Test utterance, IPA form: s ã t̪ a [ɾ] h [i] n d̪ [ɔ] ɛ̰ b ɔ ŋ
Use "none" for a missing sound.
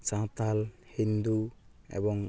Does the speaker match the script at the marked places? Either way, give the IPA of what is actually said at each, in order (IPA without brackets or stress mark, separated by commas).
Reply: l, i, u